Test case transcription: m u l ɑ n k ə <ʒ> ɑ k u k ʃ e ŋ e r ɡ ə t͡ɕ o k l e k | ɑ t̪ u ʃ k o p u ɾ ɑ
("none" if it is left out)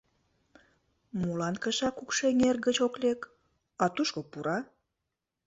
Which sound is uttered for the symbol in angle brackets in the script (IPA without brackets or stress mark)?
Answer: ʃ